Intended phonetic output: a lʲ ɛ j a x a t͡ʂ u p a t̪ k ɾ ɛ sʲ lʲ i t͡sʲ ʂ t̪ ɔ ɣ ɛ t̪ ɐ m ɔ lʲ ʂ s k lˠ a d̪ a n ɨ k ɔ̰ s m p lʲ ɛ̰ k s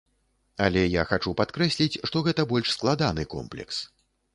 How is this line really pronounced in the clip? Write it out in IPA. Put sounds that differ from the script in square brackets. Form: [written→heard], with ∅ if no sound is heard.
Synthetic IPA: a lʲ ɛ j a x a t͡ʂ u p a t̪ k ɾ ɛ sʲ lʲ i t͡sʲ ʂ t̪ ɔ ɣ ɛ t̪ ɐ [m→b] ɔ lʲ ʂ s k lˠ a d̪ a n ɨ k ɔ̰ [s→∅] m p lʲ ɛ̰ k s